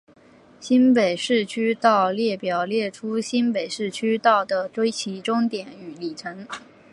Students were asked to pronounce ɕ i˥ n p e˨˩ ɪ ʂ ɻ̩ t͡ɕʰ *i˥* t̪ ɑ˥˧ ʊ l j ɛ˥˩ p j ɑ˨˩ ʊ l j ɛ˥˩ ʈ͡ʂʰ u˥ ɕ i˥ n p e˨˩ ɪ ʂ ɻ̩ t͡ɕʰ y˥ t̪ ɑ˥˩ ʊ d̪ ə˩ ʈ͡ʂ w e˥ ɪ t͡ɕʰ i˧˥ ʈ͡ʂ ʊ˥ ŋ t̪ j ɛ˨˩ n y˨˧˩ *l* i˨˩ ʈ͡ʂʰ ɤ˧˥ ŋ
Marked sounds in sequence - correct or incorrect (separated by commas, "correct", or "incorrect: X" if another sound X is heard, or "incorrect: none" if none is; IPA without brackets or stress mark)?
incorrect: y˥, correct